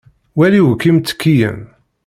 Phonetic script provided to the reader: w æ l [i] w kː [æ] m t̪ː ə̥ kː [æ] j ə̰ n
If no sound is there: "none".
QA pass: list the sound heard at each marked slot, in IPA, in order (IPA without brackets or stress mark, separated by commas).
i, i, i